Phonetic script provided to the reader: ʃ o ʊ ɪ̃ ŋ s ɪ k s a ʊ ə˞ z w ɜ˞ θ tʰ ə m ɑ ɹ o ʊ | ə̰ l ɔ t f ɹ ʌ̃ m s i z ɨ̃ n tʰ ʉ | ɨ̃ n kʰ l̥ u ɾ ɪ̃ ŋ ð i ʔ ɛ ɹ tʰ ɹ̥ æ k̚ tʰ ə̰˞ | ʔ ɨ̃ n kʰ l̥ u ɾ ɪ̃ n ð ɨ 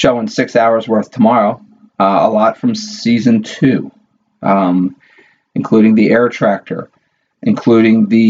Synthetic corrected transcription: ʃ o ʊ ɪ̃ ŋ s ɪ k s a ʊ ə˞ z w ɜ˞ θ tʰ ə m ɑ ɹ o ʊ | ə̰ l ɔ t f ɹ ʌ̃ m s i z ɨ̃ n tʰ ʉ | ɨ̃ n kʰ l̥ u ɾ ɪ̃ ŋ ð i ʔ ɛ ɹ tʰ ɹ̥ æ k̚ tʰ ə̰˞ | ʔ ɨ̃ n kʰ l̥ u ɾ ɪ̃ ŋ ð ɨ